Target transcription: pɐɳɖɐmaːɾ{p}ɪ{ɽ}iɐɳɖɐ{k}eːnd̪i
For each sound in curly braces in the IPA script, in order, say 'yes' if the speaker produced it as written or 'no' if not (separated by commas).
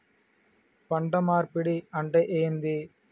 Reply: yes, yes, no